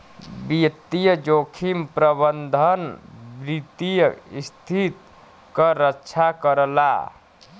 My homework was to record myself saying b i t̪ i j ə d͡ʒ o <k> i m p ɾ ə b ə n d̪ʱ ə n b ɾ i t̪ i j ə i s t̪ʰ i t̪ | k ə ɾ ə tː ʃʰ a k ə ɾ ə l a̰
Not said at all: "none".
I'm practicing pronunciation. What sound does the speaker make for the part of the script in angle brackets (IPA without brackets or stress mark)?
kʰ